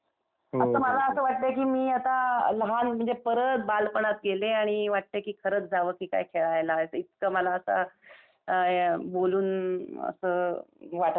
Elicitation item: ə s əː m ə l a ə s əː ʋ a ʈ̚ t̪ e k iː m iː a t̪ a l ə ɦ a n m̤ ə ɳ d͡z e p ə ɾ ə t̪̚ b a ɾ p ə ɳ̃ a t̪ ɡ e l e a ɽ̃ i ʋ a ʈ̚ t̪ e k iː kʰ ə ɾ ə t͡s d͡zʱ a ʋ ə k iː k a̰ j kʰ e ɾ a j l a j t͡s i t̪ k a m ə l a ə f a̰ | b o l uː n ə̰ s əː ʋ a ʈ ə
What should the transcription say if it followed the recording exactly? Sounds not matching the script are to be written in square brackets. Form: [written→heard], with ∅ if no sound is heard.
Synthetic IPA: ə s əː m ə l a ə s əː ʋ a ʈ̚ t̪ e k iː m iː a t̪ a l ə ɦ a n m̤ ə ɳ d͡z e p ə ɾ ə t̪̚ b a [ɾ→l] p ə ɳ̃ a t̪ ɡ e l e a ɽ̃ i ʋ a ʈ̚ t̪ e k iː kʰ ə ɾ ə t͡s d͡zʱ a ʋ ə k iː k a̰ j kʰ e [ɾ→ɭ] a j l a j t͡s i t̪ k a m ə l a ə [f→s] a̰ | b o l uː n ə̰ s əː ʋ a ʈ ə

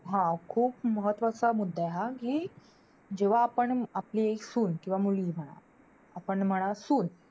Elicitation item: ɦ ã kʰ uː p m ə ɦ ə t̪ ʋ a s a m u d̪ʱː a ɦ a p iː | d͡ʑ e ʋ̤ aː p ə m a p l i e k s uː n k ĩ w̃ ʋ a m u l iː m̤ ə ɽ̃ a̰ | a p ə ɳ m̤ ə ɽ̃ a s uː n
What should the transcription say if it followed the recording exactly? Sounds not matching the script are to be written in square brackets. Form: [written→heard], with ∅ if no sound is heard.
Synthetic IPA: ɦ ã kʰ uː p m ə ɦ ə t̪ ʋ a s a m u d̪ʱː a ɦ a [p→k] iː | d͡ʑ e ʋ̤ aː p ə [m→ɳ] a p l i e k s uː n k ĩ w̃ ʋ a m u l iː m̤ ə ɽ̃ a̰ | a p ə ɳ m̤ ə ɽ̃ a s uː n

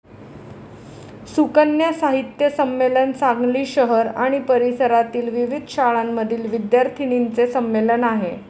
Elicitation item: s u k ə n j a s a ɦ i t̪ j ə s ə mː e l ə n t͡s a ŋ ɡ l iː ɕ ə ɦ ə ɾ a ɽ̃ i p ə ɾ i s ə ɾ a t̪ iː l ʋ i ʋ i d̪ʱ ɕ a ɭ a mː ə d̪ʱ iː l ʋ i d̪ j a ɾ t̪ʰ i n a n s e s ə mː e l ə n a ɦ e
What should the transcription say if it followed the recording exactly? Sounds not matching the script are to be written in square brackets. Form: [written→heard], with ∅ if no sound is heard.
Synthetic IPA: s u k ə n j a s a ɦ i t̪ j ə s ə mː e l ə n t͡s a ŋ ɡ l iː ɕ ə ɦ ə ɾ a ɽ̃ i p ə ɾ i s ə ɾ a t̪ iː l ʋ i ʋ i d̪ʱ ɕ a ɭ a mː ə d̪ʱ iː l ʋ i d̪ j a ɾ t̪ʰ i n [a→i] n [s→t͡s] e s ə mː e l ə n a ɦ e

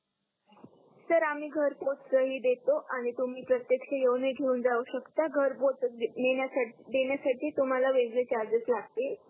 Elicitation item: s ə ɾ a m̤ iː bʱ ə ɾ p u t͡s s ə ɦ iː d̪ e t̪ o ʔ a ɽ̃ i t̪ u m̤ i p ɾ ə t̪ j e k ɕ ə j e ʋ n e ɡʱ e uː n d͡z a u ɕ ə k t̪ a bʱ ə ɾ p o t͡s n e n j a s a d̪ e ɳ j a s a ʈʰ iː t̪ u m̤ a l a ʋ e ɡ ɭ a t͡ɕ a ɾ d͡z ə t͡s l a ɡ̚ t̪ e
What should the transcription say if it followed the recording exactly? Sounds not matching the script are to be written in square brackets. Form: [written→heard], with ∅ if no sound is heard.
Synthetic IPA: s ə ɾ a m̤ iː [bʱ→ɡʱ] ə ɾ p [u→o] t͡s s ə ɦ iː d̪ e t̪ o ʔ a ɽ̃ i t̪ u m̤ [i→iː] p ɾ ə t̪ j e k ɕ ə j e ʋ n e ɡʱ e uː n d͡z a u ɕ ə k t̪ a [bʱ→ɡʱ] ə ɾ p o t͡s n e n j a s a d̪ e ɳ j a s a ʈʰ iː t̪ u m̤ a l a ʋ e ɡ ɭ [a→e] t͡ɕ a ɾ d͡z ə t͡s l a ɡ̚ t̪ e

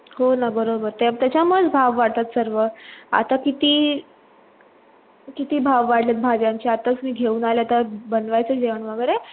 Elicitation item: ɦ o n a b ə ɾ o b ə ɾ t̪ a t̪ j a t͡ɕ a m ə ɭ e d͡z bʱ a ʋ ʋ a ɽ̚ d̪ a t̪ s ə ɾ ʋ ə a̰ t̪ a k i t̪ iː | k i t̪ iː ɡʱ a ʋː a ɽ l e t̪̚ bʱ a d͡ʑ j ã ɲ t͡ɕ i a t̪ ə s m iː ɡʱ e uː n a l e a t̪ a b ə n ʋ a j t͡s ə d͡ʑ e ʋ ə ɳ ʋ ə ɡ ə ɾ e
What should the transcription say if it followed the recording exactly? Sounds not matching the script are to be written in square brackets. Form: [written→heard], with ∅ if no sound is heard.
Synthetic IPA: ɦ o n a b ə ɾ o b ə ɾ t̪ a t̪ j a t͡ɕ a m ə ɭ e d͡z bʱ a ʋ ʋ a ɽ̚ [d̪→t̪] a t̪ s ə ɾ ʋ ə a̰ t̪ a k i t̪ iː | k i t̪ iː [ɡʱ→bʱ] a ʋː a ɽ l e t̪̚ bʱ a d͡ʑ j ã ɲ t͡ɕ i a t̪ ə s m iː ɡʱ e uː n a l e a t̪ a b ə n ʋ a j t͡s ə d͡ʑ e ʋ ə ɳ ʋ ə ɡ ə ɾ e

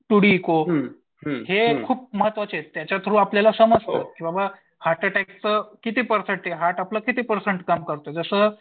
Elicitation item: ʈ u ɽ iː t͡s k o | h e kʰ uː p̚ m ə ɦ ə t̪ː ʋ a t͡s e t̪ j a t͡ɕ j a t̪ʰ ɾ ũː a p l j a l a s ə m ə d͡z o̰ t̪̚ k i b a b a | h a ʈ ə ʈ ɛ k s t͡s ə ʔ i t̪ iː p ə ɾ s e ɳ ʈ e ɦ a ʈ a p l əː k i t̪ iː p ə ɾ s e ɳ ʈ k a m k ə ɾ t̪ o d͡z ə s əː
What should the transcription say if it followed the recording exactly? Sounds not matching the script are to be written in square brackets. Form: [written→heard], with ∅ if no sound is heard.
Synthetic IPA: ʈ u ɽ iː [t͡s→∅] k o | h e kʰ uː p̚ m ə ɦ ə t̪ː ʋ a t͡s e t̪ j a t͡ɕ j a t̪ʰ ɾ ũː a p l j a l a s ə m ə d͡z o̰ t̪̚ k i b a b a | h a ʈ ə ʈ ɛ k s t͡s ə [ʔ→k] i t̪ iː p ə ɾ s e ɳ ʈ e ɦ a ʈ a p l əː k i t̪ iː p ə ɾ s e ɳ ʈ k a m k ə ɾ t̪ o d͡z ə s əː

